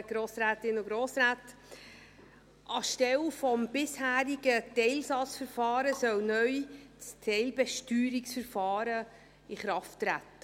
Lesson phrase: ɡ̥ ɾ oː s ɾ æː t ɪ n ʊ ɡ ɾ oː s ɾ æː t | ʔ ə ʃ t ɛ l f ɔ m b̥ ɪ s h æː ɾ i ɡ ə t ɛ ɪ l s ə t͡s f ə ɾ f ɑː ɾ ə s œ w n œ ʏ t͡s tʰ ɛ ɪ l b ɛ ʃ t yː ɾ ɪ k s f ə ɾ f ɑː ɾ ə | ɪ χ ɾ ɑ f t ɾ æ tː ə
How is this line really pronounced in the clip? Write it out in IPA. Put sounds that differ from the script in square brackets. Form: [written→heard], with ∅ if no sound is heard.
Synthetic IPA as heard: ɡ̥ ɾ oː s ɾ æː t ɪ n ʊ ɡ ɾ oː s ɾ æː t | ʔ [ə→ɑ] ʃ t ɛ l f ɔ m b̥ ɪ s h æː ɾ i ɡ ə t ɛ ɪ l s [ə→ɑ] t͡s f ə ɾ f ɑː ɾ ə s œ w n œ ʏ t͡s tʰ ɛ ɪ l b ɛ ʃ t yː ɾ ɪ k s f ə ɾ f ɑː ɾ ə | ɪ χ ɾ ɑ f t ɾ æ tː ə